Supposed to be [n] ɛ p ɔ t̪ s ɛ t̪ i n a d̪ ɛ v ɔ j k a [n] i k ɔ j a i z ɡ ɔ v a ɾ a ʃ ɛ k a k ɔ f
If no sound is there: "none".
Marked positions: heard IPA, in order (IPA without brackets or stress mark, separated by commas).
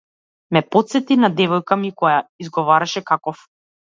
m, m